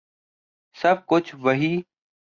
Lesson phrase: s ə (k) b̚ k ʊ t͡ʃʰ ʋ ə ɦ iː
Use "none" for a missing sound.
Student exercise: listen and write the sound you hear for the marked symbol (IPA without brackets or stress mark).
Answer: none